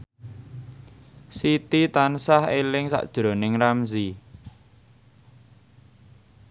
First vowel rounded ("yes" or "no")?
no